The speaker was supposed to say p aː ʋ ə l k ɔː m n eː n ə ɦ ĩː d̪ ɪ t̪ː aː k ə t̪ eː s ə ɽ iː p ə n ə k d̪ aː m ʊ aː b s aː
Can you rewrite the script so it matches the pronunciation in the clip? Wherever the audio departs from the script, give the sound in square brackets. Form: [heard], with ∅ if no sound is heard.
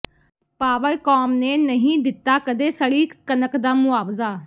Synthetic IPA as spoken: p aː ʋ ə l k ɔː m n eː n ə ɦ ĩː d̪ ɪ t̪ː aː k ə [d̪] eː s ə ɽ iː [k] ə n ə k d̪ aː m ʊ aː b [z] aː